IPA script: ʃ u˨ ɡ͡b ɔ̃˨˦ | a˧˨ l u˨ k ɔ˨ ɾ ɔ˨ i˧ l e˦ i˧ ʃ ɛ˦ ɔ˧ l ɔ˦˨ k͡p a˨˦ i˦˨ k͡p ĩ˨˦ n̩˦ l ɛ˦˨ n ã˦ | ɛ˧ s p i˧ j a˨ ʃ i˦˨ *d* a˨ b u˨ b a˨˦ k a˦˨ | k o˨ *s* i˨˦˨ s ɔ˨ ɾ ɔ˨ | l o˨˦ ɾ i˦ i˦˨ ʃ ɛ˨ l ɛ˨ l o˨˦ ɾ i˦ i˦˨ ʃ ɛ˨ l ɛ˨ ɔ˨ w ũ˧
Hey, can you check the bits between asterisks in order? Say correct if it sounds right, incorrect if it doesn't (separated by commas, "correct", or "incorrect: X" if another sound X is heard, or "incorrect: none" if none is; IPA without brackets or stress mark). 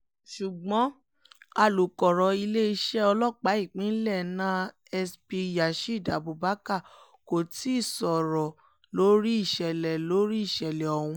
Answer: correct, incorrect: t